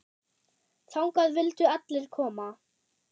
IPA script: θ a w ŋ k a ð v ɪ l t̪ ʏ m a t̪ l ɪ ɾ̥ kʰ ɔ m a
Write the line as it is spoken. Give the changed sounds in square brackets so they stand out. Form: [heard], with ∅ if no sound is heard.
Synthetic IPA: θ a w ŋ k a ð v ɪ l t̪ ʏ [∅] a t̪ l ɪ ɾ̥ kʰ [ɔː] m a